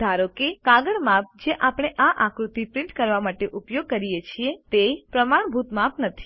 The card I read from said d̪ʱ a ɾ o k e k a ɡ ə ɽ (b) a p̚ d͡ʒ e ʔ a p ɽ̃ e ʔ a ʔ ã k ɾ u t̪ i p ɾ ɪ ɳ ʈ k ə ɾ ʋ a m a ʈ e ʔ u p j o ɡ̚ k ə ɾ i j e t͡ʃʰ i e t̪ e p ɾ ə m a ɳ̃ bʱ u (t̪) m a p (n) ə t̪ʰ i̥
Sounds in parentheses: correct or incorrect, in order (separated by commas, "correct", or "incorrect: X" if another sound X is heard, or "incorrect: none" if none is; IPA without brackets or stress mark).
incorrect: m, correct, correct